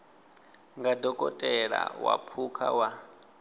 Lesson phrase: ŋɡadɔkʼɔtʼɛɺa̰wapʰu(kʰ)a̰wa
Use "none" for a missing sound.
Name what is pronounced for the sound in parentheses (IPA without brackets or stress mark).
kʰ